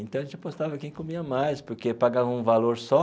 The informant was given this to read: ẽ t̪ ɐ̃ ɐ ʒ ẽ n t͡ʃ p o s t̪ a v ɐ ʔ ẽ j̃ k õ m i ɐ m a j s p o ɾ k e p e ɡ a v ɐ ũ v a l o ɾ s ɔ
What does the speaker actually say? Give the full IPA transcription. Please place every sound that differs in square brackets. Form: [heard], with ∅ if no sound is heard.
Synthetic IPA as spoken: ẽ t̪ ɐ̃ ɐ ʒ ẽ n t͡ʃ p o s t̪ a v ɐ [k] ẽ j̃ k [o] m i ɐ m a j s p o ɾ k e p [a] ɡ a v ɐ ũ v a l o ɾ s ɔ